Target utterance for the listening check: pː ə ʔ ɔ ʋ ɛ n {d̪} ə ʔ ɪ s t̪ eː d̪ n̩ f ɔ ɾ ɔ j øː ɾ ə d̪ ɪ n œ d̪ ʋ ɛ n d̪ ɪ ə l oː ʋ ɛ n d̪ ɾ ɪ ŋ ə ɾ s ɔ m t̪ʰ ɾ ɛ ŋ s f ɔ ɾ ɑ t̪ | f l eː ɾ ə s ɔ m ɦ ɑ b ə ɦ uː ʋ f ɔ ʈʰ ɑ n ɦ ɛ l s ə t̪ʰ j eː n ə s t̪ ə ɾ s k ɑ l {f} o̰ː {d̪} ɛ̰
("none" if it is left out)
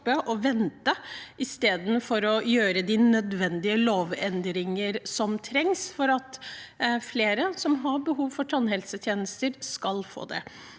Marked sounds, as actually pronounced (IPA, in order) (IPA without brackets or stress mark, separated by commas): t̪, f, d̪